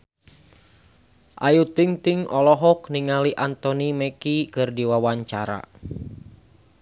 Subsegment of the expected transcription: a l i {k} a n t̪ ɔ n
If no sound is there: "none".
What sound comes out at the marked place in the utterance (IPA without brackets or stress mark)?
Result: ʔ